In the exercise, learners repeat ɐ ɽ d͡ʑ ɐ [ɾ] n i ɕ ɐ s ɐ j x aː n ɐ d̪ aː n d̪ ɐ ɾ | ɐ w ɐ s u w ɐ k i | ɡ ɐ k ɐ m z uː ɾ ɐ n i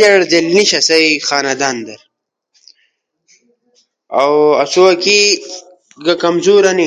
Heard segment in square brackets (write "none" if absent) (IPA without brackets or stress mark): l